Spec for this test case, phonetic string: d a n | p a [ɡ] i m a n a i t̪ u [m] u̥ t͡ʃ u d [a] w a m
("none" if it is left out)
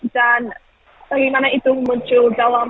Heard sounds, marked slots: ɡ, m, a

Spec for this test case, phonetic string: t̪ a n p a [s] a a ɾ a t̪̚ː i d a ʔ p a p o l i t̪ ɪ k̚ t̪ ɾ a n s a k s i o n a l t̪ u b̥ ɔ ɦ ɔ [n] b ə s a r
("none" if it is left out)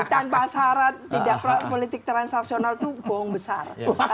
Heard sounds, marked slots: s, ŋ

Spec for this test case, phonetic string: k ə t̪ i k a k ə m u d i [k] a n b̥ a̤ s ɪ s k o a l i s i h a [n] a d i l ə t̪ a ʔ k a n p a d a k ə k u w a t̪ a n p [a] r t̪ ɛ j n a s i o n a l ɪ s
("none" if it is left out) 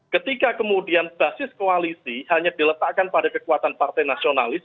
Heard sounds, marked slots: none, ɲ, a

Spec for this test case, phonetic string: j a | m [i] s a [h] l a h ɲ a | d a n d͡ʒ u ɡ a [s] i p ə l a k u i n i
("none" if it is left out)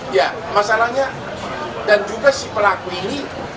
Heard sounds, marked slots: a, none, s

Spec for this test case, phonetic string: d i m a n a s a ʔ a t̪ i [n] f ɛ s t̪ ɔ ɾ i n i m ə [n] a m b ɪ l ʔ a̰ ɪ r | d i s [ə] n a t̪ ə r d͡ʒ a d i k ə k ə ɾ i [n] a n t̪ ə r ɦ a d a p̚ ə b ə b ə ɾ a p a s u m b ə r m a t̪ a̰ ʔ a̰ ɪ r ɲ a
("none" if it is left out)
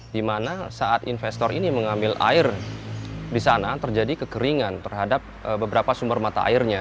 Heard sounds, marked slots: n, ŋ, a, ŋ

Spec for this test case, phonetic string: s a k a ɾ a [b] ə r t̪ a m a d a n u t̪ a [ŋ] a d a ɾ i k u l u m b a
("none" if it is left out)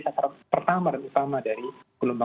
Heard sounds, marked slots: p, m

